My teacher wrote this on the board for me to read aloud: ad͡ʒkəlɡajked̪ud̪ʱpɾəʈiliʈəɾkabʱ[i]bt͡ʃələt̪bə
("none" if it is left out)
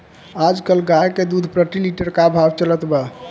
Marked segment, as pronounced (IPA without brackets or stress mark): a